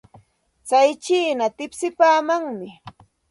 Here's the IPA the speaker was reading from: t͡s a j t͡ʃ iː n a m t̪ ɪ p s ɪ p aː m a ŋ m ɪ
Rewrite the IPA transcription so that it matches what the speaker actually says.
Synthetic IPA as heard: t͡s a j t͡ʃ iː n a t̪ ɪ p s ɪ p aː m a ŋ m ɪ